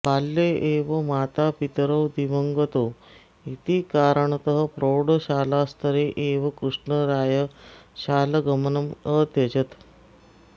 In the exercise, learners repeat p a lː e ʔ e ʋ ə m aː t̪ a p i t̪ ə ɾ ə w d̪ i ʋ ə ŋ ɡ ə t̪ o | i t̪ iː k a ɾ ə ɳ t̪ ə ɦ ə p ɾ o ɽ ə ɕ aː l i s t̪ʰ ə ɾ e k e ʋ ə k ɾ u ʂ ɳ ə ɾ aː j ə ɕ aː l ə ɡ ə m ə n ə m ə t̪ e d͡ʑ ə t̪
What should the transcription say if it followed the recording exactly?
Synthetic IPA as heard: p a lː e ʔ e ʋ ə m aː t̪ a p i t̪ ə ɾ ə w d̪ i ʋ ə ŋ ɡ ə t̪ o | i t̪ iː k a ɾ ə ɳ t̪ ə ɦ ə p ɾ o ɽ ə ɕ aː l a s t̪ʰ ə ɾ e ʔ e ʋ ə k ɾ u ʂ ɳ ə ɾ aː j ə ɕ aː l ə ɡ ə m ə n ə m ə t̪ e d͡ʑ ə t̪